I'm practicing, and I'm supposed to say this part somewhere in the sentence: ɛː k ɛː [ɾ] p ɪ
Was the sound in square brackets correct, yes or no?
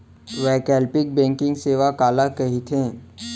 no